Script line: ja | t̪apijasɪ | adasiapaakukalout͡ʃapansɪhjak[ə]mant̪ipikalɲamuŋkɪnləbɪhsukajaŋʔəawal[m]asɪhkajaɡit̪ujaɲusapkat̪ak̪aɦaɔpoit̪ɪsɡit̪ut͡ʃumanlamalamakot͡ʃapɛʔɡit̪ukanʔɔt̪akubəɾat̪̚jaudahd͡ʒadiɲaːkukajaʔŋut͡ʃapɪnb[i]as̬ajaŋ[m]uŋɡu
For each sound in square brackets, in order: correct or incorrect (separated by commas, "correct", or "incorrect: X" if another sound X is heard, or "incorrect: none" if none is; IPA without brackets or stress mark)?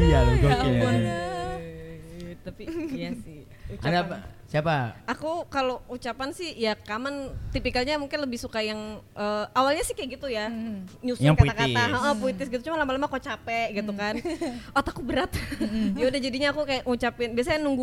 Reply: incorrect: a, incorrect: ɲ, correct, incorrect: n